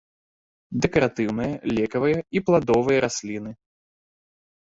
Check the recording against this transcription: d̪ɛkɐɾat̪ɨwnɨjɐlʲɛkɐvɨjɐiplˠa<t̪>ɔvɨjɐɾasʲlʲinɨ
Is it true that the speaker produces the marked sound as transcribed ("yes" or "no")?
no